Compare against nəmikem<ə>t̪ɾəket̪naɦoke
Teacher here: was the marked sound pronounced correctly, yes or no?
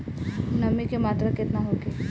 no